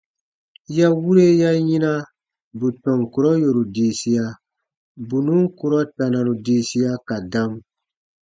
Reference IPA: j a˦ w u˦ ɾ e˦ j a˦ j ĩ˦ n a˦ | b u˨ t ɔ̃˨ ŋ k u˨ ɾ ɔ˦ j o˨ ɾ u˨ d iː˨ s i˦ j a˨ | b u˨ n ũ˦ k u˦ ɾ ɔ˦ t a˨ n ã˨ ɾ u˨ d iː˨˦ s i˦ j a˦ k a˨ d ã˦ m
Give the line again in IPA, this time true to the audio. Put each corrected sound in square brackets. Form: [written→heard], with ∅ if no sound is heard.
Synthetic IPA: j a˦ w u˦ ɾ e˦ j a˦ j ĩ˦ n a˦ | b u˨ t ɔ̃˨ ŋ k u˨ ɾ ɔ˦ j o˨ ɾ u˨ d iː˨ s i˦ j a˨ | b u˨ n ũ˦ k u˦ ɾ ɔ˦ t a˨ n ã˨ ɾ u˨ d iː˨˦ s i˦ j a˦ k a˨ d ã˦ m